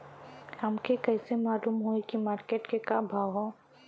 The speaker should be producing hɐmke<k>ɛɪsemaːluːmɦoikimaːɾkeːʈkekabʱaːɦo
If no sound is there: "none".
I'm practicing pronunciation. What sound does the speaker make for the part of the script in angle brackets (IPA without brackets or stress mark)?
k